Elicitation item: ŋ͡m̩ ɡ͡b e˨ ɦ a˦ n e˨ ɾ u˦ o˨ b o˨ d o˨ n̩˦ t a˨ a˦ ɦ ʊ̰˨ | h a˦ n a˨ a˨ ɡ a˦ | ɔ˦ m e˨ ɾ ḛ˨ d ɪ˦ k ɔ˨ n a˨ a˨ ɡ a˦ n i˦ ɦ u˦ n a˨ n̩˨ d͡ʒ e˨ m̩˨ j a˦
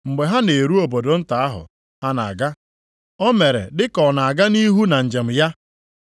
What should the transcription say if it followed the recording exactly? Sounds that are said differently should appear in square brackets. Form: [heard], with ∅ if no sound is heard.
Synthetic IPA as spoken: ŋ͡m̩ ɡ͡b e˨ ɦ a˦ n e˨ ɾ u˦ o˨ b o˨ d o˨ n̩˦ t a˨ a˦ ɦ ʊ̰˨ | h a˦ n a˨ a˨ ɡ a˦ | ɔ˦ m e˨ ɾ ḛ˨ d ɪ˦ k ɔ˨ n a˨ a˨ ɡ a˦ n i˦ ɦ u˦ n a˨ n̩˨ d͡ʒ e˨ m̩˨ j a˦